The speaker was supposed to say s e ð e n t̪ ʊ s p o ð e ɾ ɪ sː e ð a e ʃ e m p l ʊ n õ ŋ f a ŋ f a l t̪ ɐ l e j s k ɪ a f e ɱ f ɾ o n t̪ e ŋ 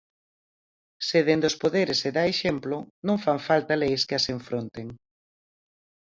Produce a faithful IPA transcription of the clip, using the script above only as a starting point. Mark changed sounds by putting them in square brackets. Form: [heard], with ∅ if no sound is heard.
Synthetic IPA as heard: s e ð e n [d̪] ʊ s p o ð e ɾ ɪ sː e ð a e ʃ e m p l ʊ n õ ŋ f a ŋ f a l t̪ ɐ l e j s k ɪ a [s] e ɱ f ɾ o n t̪ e ŋ

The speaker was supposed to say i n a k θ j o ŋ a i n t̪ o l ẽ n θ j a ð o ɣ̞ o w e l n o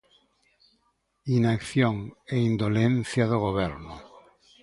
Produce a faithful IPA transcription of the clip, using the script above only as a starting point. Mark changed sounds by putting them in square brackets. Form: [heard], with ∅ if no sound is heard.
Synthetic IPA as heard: i n a k θ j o ŋ [e] i n [d̪] o l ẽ n θ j a ð o ɣ̞ o [β] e [ɾ] n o

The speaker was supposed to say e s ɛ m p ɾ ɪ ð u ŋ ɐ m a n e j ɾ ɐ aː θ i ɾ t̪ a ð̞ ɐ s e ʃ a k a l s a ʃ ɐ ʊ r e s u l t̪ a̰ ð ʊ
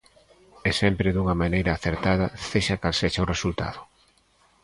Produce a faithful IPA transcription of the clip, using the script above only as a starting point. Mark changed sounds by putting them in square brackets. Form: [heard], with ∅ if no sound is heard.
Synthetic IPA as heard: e s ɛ m p ɾ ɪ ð u ŋ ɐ m a n e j ɾ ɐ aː θ [e] ɾ t̪ a ð̞ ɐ s e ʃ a k a l s [e] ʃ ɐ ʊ r e s u l t̪ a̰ ð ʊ

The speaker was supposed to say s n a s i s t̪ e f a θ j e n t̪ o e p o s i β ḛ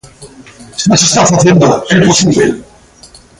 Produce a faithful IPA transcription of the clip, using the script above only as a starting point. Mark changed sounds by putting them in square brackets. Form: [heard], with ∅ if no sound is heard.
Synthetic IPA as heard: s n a s [e] s t̪ [a] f a θ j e n [d̪] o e p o s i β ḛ

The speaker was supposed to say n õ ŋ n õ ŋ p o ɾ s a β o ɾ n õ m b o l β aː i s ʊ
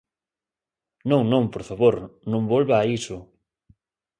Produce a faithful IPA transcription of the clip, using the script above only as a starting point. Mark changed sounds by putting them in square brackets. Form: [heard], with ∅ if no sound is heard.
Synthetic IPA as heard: n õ ŋ n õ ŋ p o ɾ [f] a β o ɾ n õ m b o l β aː i s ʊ

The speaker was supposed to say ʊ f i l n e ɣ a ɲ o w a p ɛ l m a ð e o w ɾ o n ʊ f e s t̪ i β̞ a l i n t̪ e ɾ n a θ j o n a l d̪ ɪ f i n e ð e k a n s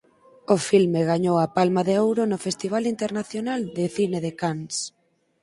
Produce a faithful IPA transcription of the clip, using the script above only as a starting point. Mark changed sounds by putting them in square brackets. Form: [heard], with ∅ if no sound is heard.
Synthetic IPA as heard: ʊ f i l [m] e ɣ a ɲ o w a p [a] l m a ð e o w ɾ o n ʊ f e s t̪ i β̞ a l i n t̪ e ɾ n a θ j o n a l d̪ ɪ [θ] i n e ð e k a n s

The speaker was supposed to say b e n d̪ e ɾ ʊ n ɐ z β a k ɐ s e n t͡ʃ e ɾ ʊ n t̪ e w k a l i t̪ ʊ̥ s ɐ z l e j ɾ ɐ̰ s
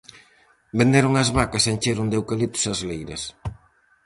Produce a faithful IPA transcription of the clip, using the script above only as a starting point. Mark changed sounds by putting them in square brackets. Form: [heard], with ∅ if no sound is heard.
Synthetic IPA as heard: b e n d̪ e ɾ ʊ [ŋ] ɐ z β a k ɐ s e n t͡ʃ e ɾ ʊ n [d̪] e w k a l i t̪ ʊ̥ s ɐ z l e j ɾ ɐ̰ s

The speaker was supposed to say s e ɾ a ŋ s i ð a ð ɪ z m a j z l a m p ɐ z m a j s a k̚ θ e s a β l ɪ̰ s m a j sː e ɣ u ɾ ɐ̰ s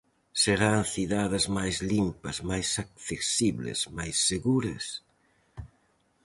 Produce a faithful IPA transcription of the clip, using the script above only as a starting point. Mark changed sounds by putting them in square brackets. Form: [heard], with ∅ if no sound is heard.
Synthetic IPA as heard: s e ɾ a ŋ [θ] i ð a ð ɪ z m a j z l [i] m p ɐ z m a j s a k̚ θ e s [i] β l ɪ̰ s m a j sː e ɣ u ɾ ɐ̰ s

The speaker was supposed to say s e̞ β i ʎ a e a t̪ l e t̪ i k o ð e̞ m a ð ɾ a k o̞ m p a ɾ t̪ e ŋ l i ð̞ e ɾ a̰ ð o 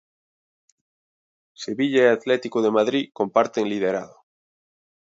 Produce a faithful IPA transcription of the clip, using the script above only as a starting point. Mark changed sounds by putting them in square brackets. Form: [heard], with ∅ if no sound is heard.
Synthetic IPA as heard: s e̞ β i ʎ a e a t̪ l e t̪ i k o ð e̞ m a ð ɾ [i] k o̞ m p a ɾ t̪ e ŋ l i ð̞ e ɾ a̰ ð o

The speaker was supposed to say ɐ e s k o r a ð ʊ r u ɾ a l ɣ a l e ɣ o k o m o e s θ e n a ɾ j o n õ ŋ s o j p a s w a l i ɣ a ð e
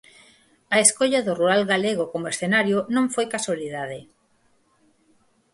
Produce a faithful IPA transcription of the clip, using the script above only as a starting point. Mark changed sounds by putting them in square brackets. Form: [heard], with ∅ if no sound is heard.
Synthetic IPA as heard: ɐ e s k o [ʎ] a ð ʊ r u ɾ a l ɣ a l e ɣ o k o m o e s θ e n a ɾ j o n õ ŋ [f] o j [k] a s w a l i [ð] a ð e

